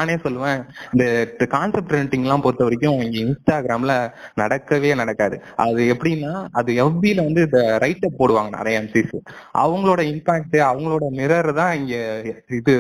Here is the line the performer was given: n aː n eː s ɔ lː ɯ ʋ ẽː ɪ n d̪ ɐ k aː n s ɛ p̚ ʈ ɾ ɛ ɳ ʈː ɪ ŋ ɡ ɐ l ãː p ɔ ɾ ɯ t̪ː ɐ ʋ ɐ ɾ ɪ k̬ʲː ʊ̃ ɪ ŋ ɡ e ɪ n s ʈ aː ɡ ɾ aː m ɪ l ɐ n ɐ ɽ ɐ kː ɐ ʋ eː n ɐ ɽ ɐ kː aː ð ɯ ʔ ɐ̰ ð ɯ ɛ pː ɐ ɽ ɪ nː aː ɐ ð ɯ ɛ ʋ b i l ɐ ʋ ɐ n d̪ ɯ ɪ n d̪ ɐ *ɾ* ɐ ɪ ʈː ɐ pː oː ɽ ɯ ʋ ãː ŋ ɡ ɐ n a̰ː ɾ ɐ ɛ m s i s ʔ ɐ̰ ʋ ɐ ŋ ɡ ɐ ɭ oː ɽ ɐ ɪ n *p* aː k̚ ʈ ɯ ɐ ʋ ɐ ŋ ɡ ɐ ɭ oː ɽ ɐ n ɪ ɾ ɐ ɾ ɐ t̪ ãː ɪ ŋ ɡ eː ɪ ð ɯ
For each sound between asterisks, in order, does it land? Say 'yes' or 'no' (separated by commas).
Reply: yes, yes